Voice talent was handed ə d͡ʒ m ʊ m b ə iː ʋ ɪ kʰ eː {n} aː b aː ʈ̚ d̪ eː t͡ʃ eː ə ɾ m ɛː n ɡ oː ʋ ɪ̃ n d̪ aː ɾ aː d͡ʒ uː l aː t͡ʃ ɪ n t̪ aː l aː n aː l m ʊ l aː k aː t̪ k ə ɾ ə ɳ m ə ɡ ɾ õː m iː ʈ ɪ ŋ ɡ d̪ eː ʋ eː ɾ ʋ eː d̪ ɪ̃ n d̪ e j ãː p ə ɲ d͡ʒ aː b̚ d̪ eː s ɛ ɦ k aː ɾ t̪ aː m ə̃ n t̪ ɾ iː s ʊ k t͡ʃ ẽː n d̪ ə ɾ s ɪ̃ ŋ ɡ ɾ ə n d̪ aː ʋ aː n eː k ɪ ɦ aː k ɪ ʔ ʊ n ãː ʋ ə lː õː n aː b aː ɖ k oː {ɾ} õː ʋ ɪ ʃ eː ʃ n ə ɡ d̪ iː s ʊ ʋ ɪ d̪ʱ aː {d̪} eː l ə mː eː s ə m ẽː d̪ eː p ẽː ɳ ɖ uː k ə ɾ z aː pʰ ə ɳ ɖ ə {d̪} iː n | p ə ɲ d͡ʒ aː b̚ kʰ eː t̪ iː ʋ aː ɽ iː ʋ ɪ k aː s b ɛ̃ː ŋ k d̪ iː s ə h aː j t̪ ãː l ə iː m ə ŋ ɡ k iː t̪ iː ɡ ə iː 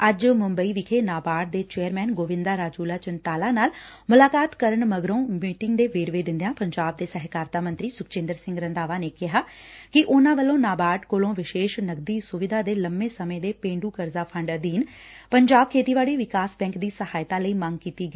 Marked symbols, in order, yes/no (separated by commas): yes, no, yes, yes